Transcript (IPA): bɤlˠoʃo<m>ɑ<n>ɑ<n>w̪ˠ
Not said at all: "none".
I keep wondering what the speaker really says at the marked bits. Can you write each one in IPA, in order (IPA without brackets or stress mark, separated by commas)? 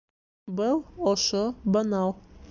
b, n, none